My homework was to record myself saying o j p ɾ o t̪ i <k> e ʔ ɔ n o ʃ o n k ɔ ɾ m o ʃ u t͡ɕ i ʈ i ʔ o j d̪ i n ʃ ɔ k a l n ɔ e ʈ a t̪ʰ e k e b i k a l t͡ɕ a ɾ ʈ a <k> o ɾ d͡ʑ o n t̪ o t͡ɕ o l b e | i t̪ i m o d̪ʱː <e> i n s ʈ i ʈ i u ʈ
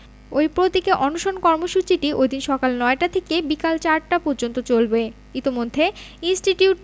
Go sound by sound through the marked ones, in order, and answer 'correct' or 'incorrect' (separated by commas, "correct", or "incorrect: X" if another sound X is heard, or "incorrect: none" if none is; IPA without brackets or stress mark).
correct, incorrect: p, correct